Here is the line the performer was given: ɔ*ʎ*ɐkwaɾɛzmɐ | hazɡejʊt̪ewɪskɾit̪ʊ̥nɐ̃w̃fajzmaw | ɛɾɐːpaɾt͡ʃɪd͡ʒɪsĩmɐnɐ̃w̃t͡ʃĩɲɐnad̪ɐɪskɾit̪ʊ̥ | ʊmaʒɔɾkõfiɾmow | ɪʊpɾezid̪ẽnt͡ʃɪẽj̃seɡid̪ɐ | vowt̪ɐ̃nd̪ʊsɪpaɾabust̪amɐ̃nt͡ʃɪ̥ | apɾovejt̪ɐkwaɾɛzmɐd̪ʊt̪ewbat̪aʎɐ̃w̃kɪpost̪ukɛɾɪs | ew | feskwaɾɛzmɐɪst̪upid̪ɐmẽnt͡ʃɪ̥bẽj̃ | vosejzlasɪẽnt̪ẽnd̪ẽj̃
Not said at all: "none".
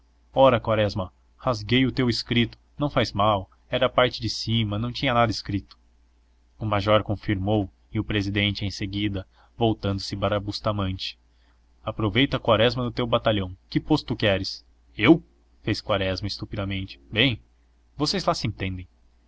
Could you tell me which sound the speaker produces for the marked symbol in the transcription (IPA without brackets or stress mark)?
ɾ